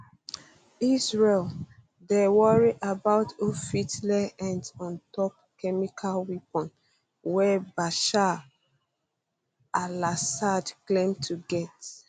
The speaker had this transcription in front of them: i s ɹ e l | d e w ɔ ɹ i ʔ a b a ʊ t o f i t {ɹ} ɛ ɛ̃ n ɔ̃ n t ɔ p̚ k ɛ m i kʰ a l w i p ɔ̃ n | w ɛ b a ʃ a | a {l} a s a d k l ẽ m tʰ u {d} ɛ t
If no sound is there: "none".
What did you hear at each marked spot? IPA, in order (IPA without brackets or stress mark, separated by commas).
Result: l, l, ɡ